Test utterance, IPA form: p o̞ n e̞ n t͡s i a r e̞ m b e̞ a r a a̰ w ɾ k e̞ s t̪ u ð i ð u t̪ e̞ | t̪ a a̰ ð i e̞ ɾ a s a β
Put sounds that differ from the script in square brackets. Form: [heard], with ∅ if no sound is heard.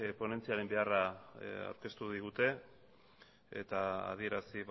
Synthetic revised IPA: p o̞ n e̞ n t͡s i a [ɾ] e̞ m b e̞ a r a a̰ w ɾ k e̞ s t̪ u ð i [ɣ] u t̪ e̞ | t̪ a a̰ ð i e̞ ɾ a s [i] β